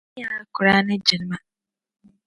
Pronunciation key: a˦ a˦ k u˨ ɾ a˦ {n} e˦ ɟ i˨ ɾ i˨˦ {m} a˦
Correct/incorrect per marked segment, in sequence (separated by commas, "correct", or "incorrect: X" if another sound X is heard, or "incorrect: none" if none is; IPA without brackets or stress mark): correct, correct